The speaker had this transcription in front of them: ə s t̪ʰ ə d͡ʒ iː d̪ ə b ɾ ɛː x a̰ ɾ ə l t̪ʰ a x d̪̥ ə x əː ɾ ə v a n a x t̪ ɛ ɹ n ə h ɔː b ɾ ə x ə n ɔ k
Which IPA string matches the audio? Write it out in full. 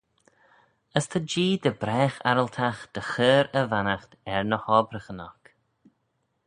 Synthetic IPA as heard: ə s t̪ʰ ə d͡ʒ iː d̪ ə b ɾ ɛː x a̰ ɾ ə l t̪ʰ a x d̪̥ ə x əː ɾ ə v a n a x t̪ ɛ ɹ n ə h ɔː b ɾ ə x ə n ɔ k